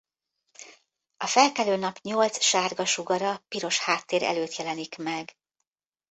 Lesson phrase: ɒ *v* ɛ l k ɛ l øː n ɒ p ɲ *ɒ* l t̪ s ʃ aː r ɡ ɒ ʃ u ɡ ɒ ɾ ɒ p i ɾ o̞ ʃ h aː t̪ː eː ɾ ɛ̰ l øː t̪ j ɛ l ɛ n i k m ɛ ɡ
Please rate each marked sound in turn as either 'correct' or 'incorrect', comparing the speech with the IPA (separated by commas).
incorrect, incorrect